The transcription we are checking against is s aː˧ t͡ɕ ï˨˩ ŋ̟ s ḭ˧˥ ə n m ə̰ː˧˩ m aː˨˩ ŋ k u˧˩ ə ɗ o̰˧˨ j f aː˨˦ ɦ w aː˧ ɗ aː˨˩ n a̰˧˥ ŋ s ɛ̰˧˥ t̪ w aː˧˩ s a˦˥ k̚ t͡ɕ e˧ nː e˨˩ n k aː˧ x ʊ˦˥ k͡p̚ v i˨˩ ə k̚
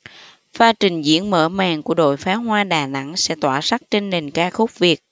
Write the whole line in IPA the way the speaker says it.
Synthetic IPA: f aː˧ t͡ɕ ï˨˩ ŋ̟ z ḭ˧˥ ə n m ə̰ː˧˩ m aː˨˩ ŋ k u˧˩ ə ɗ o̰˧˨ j f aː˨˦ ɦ w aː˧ ɗ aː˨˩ n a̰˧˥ ŋ s ɛ̰˧˥ t̪ w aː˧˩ s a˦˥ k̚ t͡ɕ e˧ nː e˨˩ n k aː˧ x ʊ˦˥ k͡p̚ v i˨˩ ə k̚